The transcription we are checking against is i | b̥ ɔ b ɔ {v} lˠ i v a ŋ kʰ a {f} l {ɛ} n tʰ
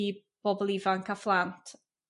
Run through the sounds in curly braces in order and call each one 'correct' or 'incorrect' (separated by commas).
incorrect, correct, incorrect